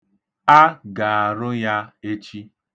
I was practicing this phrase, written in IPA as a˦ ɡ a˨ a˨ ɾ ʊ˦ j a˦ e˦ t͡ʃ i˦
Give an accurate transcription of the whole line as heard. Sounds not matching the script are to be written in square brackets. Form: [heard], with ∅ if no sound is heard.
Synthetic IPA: a˦ ɡ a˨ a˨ ɾ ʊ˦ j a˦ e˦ t͡ʃ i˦